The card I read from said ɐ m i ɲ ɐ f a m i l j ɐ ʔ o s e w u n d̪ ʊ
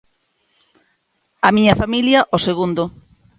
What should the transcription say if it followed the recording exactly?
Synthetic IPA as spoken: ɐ m i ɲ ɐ f a m i l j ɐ ʔ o s e ɣ u n d̪ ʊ